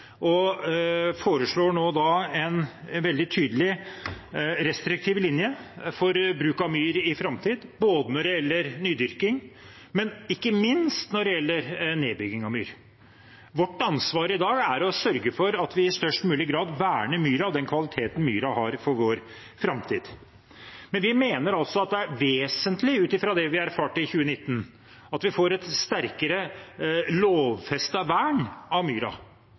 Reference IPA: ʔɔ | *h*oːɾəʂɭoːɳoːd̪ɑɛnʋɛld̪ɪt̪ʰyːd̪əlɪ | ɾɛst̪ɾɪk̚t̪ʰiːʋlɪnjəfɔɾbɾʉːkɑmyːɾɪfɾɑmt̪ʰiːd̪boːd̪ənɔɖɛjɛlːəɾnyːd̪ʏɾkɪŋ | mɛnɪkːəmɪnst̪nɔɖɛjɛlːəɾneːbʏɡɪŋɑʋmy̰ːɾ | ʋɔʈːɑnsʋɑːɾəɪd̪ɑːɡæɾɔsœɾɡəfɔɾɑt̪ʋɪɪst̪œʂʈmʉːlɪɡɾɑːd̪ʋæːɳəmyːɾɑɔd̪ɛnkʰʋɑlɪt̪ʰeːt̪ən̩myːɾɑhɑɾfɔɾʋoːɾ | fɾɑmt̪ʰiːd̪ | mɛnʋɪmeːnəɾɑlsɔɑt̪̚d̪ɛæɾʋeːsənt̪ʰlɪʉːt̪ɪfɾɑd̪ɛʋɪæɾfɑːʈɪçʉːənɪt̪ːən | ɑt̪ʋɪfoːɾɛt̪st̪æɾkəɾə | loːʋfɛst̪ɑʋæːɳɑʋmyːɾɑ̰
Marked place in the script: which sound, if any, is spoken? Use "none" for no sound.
f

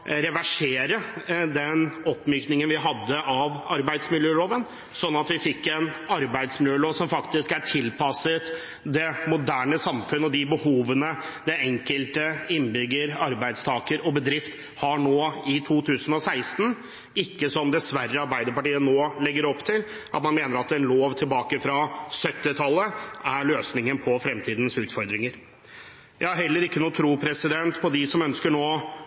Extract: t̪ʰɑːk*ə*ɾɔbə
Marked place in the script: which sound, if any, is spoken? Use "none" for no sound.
ə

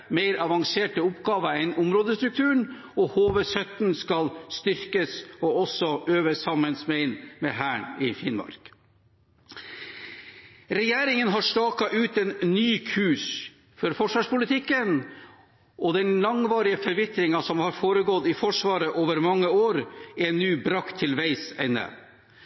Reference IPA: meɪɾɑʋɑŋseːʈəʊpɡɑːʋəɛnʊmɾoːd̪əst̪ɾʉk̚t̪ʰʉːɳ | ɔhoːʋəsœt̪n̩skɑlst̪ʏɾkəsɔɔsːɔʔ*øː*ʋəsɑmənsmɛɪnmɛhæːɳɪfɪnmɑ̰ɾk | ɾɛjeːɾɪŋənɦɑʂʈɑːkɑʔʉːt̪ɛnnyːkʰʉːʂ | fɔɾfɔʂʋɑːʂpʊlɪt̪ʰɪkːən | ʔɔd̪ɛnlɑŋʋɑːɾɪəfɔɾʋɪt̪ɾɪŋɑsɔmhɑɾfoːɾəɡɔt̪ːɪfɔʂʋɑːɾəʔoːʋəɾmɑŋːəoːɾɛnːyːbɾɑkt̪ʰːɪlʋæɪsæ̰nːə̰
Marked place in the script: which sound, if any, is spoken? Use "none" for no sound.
øː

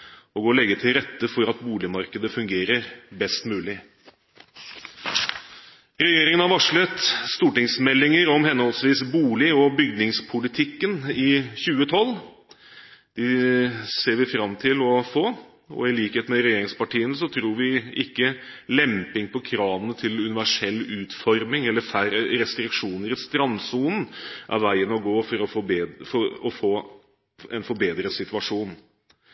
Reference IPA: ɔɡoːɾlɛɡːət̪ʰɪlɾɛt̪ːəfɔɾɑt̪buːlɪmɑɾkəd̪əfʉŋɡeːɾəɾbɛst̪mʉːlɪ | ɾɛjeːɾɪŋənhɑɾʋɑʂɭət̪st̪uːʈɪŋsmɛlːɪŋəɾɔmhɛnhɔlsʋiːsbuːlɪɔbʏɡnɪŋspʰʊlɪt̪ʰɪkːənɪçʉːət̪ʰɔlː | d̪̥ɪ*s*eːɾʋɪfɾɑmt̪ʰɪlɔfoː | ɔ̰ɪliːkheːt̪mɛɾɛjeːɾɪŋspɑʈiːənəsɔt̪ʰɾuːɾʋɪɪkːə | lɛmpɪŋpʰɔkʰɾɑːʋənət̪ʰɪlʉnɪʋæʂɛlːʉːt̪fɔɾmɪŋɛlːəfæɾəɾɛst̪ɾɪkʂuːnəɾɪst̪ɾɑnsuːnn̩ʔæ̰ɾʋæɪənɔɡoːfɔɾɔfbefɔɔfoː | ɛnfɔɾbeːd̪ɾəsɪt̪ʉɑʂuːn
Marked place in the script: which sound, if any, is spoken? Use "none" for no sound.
s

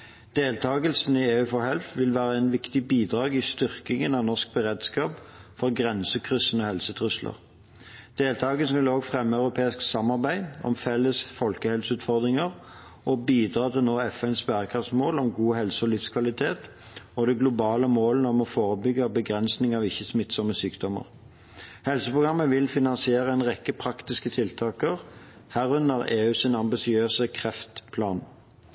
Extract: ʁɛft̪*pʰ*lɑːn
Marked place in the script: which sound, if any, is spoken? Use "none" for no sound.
pʰ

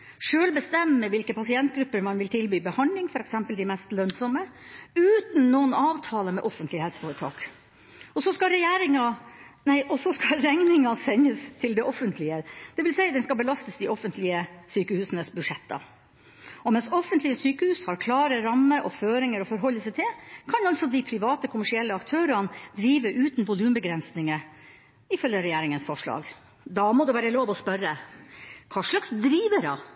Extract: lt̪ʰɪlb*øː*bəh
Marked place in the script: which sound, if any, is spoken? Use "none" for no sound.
yː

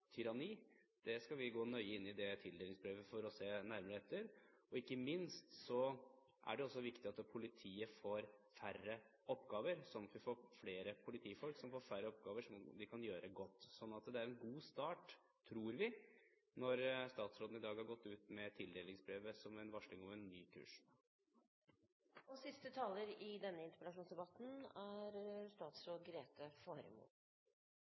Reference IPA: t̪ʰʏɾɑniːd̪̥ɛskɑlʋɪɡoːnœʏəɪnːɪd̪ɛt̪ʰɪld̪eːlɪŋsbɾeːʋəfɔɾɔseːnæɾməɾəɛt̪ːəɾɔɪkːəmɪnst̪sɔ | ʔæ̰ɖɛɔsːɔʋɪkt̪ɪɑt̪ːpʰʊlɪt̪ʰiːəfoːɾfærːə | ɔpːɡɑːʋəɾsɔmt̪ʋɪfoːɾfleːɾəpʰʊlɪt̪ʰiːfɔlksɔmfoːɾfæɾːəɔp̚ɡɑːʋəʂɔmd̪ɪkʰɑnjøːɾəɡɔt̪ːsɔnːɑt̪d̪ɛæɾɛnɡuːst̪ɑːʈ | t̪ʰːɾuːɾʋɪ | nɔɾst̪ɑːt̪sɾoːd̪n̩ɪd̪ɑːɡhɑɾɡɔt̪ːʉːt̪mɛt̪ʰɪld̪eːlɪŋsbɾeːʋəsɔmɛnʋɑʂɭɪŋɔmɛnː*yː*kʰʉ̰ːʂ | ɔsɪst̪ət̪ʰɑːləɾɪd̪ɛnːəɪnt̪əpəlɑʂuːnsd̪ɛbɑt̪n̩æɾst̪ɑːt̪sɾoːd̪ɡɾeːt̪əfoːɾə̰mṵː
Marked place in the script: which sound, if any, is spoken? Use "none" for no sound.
yː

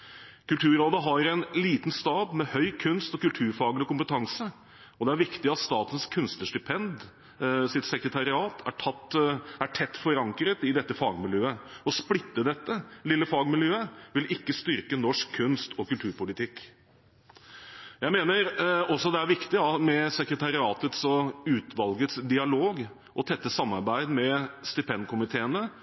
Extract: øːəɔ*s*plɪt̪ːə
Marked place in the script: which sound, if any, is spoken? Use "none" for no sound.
s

